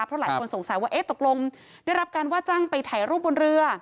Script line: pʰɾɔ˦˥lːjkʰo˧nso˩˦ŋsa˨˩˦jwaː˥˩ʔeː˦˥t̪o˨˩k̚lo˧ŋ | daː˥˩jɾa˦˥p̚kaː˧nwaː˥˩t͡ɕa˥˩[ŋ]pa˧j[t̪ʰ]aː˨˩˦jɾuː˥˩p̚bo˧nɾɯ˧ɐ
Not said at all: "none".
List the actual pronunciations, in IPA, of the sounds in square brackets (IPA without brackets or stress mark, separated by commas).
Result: ŋ, t̪ʰ